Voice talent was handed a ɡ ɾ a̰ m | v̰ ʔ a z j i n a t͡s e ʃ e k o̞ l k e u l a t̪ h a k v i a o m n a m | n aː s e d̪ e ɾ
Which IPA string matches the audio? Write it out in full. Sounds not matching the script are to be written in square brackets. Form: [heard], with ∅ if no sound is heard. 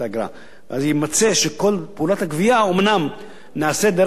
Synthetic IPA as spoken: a ɡ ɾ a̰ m | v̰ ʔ a z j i [m] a t͡s e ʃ e k o̞ l [p] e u l a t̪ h a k v i a o m n a m | n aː s e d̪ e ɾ